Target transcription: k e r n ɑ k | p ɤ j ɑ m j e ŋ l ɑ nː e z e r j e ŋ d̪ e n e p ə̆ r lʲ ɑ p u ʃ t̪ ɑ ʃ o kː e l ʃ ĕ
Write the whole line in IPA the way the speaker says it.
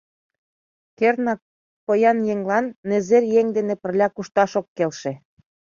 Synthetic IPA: k e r n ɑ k | p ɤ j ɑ n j e ŋ l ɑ nː e z e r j e ŋ d̪ e n e p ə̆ r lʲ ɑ k u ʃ t̪ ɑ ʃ o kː e l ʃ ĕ